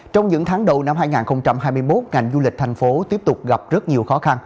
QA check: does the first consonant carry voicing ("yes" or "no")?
no